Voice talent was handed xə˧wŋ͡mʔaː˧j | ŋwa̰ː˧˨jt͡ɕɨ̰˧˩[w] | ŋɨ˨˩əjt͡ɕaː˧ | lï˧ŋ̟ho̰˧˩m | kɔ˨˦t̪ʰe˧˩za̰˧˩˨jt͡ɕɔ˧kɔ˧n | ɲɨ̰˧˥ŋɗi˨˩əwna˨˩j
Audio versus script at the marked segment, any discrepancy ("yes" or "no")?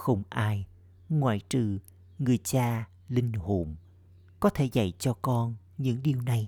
yes